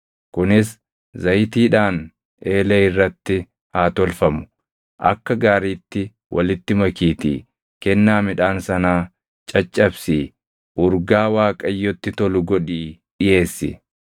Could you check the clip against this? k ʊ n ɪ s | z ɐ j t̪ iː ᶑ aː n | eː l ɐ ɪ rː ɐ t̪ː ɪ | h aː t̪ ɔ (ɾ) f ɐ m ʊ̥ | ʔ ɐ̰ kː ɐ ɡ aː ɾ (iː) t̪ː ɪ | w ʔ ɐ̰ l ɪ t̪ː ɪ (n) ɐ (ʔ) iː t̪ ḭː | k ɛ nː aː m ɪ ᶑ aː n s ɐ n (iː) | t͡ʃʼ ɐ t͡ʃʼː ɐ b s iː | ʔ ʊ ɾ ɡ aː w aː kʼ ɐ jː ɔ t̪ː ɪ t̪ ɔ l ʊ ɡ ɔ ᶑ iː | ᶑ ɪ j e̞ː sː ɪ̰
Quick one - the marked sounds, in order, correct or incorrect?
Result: incorrect, correct, incorrect, incorrect, incorrect

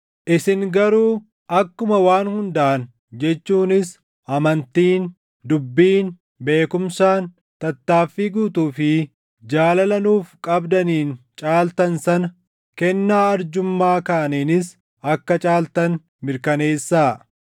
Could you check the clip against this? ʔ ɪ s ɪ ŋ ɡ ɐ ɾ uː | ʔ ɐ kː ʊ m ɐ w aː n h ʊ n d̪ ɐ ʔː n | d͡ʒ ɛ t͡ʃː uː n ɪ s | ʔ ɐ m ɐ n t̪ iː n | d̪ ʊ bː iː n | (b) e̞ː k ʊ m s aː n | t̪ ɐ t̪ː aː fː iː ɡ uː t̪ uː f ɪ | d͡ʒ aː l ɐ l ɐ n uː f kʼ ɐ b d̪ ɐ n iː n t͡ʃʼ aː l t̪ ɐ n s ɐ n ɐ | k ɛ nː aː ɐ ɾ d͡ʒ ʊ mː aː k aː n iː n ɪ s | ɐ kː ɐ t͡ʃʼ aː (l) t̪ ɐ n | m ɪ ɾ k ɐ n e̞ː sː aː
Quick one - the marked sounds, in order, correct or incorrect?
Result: correct, correct

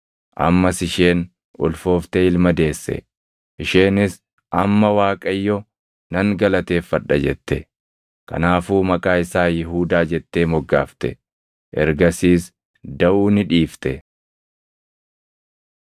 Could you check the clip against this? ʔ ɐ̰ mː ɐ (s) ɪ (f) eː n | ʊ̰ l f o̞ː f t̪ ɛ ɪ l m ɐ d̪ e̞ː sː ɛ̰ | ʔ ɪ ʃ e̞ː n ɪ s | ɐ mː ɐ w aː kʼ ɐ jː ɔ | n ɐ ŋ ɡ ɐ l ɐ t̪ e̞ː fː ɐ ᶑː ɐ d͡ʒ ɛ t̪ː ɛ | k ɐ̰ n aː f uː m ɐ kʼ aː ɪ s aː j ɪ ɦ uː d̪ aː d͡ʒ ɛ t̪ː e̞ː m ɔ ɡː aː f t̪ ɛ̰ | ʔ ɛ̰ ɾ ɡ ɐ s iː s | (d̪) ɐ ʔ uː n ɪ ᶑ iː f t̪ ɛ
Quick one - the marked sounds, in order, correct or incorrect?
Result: correct, incorrect, correct

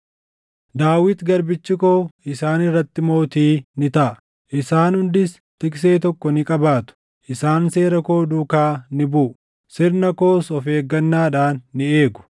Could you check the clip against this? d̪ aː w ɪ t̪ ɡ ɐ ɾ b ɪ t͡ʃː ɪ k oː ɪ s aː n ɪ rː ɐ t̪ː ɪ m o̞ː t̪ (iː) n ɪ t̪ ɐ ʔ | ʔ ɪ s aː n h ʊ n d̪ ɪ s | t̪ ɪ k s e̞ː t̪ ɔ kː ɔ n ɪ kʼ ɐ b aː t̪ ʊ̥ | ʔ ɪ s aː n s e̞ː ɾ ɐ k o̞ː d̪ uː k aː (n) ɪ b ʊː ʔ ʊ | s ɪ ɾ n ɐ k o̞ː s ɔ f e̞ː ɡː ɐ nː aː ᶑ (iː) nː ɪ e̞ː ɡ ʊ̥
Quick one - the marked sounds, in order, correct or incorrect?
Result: correct, correct, incorrect

